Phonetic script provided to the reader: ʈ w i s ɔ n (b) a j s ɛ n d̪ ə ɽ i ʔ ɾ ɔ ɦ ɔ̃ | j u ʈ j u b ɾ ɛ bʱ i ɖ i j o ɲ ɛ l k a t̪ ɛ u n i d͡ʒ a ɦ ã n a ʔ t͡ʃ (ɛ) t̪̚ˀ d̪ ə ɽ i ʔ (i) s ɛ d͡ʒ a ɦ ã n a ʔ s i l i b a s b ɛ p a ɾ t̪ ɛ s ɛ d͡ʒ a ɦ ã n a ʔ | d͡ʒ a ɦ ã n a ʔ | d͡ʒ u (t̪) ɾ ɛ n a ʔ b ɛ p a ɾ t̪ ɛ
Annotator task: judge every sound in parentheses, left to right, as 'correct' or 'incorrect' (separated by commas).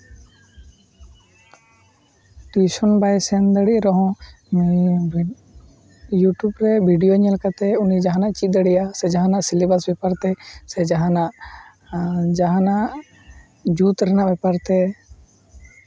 correct, incorrect, incorrect, correct